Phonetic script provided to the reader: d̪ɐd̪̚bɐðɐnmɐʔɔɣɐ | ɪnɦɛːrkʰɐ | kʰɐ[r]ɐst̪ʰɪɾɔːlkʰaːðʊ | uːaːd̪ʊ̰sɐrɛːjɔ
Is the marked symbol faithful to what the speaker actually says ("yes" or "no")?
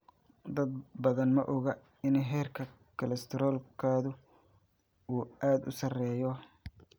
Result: no